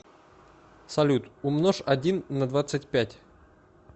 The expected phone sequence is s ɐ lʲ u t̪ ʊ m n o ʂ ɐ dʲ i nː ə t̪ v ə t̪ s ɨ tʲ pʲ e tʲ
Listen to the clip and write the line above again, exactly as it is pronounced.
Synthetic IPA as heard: s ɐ lʲ u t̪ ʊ m n o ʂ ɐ dʲ i nː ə d̪ v a t̪ s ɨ tʲ pʲ æ tʲ